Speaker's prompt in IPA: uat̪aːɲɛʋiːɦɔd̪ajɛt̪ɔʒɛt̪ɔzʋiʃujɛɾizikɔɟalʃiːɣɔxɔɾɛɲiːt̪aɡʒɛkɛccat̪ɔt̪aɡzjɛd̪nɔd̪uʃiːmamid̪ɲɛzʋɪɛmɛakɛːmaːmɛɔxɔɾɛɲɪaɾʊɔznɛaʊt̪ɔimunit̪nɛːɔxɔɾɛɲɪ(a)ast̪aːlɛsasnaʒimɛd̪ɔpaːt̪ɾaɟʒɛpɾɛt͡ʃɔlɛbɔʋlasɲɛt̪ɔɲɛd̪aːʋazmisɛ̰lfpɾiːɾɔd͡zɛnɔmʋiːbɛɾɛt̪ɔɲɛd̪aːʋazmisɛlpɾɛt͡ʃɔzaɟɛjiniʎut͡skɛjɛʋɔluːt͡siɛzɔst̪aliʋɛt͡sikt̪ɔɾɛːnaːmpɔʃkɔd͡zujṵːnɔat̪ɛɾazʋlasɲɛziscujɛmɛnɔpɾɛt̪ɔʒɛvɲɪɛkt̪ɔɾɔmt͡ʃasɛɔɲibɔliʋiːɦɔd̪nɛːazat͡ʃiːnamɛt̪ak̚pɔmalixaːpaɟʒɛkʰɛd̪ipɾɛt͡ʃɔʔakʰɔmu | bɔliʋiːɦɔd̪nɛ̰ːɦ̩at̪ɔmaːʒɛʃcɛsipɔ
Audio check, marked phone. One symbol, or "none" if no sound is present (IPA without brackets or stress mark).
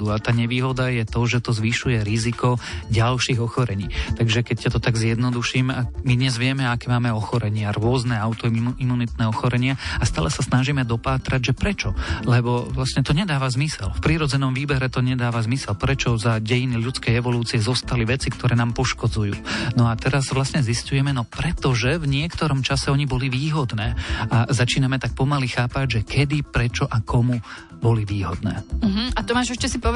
a